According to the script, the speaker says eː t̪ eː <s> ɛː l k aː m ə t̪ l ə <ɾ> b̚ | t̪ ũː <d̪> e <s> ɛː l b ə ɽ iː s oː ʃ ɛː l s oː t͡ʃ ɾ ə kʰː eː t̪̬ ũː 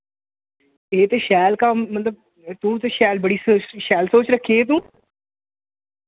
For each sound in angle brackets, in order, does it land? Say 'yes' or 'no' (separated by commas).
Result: no, no, no, no